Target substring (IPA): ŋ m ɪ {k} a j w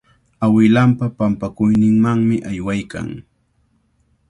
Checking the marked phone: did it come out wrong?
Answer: yes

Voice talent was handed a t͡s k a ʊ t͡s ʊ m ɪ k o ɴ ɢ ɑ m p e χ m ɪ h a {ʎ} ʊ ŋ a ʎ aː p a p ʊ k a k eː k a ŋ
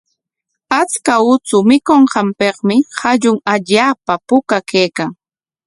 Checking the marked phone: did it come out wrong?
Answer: no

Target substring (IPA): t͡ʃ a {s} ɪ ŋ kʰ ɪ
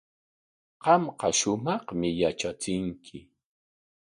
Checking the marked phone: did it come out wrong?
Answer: yes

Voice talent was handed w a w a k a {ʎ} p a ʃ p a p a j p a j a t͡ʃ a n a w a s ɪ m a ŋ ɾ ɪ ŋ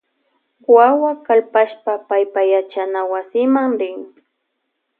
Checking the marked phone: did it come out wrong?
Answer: yes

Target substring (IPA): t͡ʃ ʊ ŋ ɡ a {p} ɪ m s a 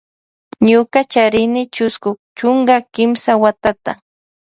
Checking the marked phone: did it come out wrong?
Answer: yes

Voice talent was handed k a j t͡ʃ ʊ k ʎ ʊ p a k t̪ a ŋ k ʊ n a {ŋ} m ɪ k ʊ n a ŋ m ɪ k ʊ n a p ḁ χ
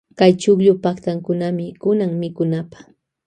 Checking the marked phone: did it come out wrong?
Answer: yes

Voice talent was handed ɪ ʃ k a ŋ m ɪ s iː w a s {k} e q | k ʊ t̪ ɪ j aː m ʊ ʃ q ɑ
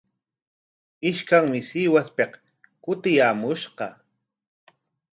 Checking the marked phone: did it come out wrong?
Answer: yes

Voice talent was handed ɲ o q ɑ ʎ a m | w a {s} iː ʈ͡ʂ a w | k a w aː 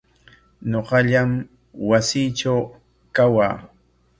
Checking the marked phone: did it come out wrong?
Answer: no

